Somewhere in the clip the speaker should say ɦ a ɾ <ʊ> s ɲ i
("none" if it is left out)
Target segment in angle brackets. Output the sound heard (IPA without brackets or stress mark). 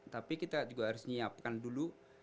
ʊ